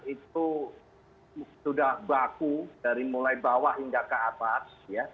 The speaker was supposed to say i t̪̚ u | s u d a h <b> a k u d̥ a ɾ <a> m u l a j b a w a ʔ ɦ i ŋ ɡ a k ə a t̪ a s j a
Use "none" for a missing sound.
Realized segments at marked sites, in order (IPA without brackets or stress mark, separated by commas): b, i